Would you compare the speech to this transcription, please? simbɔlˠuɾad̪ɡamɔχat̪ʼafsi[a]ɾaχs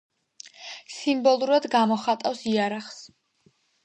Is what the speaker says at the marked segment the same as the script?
yes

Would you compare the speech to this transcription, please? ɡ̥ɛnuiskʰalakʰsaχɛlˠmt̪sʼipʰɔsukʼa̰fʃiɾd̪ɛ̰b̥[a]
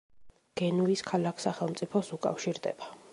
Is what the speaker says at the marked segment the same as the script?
yes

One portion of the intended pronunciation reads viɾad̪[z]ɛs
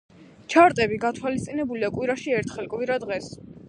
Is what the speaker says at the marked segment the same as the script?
no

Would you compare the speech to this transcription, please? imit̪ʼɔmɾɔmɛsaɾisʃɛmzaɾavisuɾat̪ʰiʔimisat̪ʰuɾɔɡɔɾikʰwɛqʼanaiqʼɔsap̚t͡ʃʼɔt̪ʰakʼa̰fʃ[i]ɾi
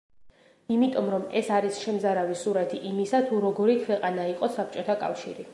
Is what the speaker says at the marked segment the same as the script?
yes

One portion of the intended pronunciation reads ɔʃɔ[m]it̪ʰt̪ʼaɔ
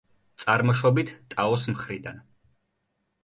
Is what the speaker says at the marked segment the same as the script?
no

